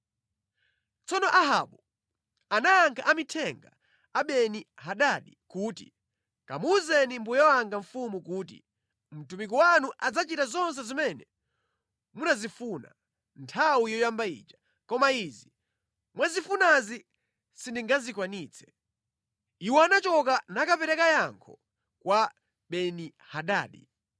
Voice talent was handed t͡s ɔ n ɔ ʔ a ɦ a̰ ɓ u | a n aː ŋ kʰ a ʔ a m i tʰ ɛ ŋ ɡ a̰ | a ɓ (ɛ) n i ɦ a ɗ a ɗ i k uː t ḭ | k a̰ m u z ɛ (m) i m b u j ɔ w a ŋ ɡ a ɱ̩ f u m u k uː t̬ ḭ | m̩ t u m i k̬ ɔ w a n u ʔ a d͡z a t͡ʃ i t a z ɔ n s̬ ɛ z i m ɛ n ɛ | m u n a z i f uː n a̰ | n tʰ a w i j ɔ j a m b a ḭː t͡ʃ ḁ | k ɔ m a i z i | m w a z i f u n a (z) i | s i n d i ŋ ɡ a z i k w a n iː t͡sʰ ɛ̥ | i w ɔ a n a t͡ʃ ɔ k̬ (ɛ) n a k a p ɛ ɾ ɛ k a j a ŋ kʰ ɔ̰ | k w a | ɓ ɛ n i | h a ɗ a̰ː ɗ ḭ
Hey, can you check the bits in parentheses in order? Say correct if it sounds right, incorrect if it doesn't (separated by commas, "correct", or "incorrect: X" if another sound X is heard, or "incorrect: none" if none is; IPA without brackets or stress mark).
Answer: correct, incorrect: n, correct, incorrect: a